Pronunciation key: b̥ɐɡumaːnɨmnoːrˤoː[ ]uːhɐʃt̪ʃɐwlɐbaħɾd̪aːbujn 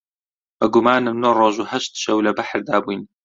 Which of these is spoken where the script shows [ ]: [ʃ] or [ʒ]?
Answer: ʒ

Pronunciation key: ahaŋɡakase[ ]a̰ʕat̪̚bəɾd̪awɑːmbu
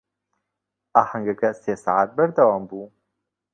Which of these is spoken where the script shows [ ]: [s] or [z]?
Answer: s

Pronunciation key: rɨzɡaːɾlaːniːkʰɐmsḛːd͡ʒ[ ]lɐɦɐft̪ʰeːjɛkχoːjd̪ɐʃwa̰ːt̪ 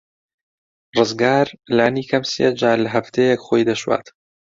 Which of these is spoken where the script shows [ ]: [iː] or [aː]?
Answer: aː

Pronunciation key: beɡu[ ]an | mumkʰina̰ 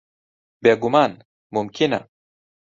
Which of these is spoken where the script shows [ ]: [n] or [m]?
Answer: m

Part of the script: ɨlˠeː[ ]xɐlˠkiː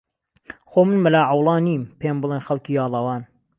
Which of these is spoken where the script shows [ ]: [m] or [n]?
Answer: n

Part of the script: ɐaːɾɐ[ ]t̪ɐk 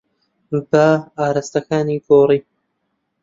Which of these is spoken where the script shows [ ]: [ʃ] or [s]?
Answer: s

